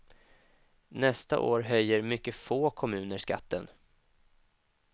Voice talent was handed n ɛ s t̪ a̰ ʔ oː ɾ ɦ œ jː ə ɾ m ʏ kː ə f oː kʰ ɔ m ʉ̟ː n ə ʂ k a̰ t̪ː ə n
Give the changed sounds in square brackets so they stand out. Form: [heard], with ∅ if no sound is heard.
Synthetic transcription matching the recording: n ɛ s t̪ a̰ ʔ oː ɾ ɦ œ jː ə ɾ m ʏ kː ə f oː kʰ ɔ m ʉ̟ː n ə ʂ k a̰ t̪ː ə n